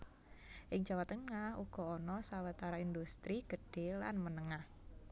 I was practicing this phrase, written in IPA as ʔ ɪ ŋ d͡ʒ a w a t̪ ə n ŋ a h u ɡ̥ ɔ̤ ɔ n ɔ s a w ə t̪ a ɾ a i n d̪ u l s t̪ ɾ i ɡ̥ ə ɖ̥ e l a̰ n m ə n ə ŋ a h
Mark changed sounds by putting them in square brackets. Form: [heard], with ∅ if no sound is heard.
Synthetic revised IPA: ʔ ɪ ŋ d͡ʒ a w a t̪ ə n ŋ a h u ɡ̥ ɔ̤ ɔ n ɔ s a w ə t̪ a ɾ a i n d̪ u [∅] s t̪ ɾ i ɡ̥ ə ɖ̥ e l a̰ n m ə n ə ŋ a h